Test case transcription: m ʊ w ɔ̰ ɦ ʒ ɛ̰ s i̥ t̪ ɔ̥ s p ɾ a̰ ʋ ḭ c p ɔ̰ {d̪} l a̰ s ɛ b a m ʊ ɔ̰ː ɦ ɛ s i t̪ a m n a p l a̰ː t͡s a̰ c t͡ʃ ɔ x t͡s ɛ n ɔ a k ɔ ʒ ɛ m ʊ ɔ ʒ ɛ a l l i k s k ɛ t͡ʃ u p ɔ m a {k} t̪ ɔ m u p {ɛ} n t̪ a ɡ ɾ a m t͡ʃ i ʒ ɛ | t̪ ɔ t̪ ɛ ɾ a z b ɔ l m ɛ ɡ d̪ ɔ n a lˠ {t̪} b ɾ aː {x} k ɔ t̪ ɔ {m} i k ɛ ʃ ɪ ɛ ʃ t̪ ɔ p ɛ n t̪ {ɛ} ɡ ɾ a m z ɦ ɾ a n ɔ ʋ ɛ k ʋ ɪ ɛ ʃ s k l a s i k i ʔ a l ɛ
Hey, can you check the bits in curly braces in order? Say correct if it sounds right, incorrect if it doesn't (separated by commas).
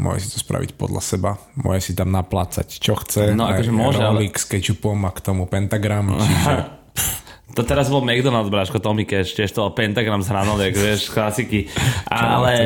correct, correct, correct, incorrect, incorrect, correct, incorrect